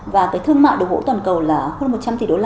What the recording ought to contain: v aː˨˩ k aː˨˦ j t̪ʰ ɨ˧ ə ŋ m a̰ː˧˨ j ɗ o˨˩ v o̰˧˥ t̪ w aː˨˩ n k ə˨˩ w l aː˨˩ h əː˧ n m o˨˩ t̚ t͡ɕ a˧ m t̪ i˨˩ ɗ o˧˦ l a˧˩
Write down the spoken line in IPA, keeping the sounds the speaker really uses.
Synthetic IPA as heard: v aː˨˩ k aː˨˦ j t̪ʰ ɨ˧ ə ŋ m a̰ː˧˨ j ɗ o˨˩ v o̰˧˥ t̪ w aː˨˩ n k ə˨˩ w l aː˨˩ h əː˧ n m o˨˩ t̚ t͡ɕ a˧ m t̪ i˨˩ ɗ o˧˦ l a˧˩